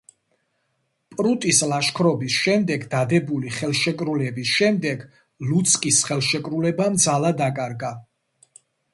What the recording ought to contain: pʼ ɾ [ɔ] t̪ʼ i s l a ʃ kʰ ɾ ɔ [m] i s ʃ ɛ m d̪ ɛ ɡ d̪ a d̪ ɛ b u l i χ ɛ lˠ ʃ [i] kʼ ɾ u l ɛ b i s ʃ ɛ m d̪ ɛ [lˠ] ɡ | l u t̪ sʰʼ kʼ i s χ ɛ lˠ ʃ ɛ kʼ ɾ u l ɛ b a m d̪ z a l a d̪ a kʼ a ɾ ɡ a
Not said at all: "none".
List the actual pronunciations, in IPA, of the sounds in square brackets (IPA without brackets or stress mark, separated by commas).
u, b, ɛ, none